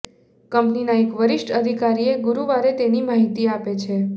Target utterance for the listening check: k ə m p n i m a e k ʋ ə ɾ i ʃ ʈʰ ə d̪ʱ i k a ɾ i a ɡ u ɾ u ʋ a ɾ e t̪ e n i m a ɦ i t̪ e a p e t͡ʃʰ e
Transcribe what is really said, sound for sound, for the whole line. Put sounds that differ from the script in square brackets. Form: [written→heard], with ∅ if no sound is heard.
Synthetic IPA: k ə m p n i [m→n] a e k ʋ ə ɾ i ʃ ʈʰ ə d̪ʱ i k a ɾ i [a→e] ɡ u ɾ u ʋ a ɾ e t̪ e n i m a ɦ i t̪ [e→i] a p e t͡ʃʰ e